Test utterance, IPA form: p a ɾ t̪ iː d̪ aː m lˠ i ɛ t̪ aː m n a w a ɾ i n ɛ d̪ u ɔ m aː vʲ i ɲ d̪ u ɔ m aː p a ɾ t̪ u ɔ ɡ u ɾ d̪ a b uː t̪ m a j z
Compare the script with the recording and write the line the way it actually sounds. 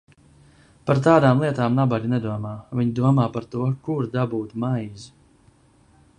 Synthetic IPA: p a ɾ t̪ aː d̪ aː m lˠ i ɛ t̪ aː m n a b a ɾ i n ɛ d̪ u ɔ m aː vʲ i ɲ d̪ u ɔ m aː p a ɾ t̪ u ɔ k u ɾ d̪ a b uː t̪ m a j z